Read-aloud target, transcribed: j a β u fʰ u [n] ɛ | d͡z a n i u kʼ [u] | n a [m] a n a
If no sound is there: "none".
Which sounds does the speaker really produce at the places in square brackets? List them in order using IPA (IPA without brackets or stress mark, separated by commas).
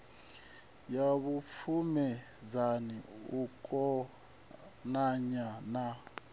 m, ɔ, ɲ